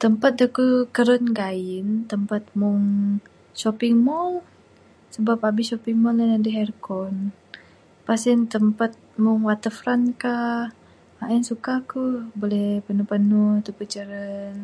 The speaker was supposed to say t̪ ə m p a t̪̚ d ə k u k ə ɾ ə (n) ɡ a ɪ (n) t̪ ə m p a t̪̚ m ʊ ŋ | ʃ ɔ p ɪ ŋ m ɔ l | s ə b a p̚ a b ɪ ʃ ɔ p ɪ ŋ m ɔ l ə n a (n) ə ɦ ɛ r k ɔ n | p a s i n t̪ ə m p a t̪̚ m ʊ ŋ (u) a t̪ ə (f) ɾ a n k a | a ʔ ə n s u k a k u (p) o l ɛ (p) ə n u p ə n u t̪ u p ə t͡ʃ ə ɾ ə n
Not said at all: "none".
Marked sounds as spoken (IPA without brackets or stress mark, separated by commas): n, n, d, w, f, b, p